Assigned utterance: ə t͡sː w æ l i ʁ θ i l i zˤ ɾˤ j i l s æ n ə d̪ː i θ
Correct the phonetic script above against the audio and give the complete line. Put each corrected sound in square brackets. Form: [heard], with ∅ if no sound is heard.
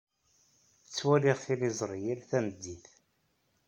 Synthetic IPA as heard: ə t͡sː w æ l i ʁ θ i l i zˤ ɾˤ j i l [θ] æ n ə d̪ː i θ